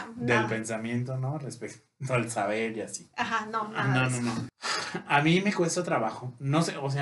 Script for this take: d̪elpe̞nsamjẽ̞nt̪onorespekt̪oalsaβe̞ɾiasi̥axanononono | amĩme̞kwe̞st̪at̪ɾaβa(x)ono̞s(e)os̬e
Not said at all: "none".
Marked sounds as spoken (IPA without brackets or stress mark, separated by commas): x, e